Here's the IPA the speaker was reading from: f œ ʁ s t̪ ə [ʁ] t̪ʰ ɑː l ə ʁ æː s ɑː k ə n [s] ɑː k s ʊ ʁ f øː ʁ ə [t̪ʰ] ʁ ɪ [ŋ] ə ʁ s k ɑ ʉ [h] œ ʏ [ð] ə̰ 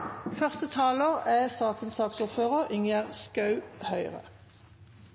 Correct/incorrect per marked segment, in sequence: incorrect, correct, incorrect, correct, correct, incorrect

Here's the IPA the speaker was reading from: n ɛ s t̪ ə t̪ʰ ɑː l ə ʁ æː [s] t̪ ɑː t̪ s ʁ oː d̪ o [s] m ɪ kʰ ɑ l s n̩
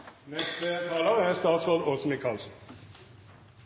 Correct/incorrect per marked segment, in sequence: correct, correct

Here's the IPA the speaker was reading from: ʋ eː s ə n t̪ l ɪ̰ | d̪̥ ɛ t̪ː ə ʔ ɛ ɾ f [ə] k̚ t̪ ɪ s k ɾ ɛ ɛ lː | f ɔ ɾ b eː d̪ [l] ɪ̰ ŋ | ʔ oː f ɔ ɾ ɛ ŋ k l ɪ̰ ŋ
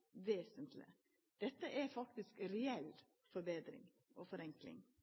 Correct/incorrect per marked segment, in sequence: incorrect, incorrect

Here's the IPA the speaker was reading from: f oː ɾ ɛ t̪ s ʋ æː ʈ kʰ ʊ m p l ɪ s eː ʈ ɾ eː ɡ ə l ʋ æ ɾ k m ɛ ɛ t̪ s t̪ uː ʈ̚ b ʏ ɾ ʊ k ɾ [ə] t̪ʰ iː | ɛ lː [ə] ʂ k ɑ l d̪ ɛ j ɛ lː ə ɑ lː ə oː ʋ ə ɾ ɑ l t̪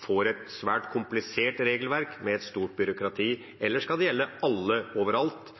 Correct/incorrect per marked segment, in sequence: incorrect, correct

